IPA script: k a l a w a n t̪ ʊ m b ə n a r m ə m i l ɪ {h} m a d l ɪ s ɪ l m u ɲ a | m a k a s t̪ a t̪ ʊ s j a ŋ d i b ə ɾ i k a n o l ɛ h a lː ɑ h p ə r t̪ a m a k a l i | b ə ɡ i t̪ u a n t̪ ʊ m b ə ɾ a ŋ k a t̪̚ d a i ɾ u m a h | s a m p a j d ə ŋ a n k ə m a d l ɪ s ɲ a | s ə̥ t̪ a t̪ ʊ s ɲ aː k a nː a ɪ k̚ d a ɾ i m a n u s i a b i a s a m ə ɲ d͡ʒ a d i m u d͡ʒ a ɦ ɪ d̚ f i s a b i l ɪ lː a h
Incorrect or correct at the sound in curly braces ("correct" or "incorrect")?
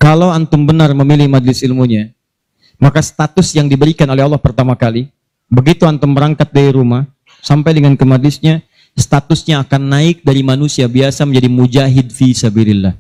correct